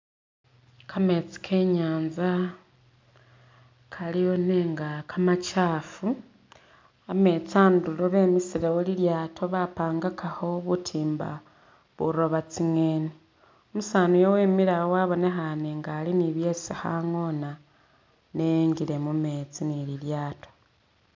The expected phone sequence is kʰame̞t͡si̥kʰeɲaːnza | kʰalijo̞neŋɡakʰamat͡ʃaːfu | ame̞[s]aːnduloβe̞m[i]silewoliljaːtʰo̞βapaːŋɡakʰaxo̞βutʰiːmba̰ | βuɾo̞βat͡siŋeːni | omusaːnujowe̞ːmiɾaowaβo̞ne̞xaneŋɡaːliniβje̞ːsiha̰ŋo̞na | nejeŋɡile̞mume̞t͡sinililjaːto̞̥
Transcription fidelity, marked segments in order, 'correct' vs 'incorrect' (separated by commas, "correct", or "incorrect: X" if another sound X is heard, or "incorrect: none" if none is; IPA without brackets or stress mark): incorrect: t͡s, correct